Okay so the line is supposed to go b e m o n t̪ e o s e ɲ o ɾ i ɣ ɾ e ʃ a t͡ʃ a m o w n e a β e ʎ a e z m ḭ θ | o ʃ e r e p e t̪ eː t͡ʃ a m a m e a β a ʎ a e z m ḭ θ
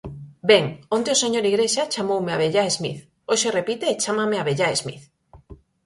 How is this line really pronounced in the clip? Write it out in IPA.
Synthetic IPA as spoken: b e ŋ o n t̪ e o s e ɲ o ɾ i ɣ ɾ e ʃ a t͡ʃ a m o w m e a β e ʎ a e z m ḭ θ | o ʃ e r e p i t̪ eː t͡ʃ a m a m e a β e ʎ a e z m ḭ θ